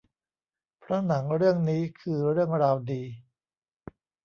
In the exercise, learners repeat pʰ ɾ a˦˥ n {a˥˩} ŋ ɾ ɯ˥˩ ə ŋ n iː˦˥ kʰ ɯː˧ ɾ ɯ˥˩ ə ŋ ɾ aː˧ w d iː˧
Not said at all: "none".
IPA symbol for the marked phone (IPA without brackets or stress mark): a˩˦